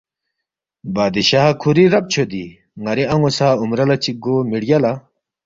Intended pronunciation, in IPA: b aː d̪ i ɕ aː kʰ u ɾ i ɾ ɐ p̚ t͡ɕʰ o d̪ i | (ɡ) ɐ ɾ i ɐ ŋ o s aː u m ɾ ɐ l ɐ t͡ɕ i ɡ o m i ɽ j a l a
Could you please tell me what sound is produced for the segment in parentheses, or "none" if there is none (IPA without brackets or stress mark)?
ŋ